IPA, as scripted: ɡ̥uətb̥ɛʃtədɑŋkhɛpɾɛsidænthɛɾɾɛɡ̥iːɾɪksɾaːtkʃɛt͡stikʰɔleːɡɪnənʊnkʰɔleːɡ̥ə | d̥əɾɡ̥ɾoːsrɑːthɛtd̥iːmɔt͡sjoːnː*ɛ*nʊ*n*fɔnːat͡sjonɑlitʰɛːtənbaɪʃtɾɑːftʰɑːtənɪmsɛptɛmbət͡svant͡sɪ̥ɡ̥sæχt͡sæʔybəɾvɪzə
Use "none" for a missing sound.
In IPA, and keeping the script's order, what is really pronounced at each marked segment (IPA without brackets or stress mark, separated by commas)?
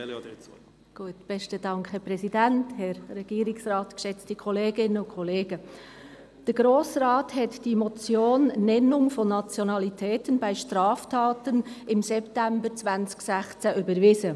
ɛ, ŋ